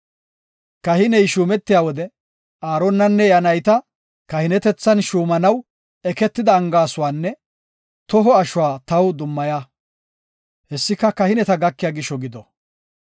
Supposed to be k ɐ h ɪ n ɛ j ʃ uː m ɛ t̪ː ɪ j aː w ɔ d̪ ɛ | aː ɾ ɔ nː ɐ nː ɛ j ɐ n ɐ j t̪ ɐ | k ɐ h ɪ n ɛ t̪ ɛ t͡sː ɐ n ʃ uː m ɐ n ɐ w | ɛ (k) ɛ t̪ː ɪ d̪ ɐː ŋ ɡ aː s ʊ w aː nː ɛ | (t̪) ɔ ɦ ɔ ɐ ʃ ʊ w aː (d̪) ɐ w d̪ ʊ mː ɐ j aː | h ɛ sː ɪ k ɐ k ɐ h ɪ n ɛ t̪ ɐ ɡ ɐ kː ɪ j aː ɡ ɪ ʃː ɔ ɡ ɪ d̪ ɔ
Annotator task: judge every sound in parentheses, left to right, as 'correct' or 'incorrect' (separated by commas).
correct, correct, incorrect